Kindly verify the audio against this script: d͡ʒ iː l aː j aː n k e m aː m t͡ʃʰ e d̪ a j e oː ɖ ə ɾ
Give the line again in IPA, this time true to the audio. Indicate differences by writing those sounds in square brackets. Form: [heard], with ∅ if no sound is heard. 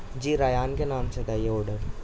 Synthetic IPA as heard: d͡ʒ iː [ɾ] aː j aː n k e [n] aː m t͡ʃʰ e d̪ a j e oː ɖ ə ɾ